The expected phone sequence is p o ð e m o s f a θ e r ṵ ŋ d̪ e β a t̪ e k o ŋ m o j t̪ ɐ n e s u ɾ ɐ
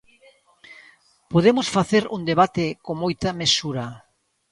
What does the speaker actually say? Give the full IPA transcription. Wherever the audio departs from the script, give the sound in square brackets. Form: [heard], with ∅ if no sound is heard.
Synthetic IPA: p o ð e m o s f a θ e [ɾ] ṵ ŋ d̪ e β a t̪ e k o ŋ m o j t̪ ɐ [m] e s u ɾ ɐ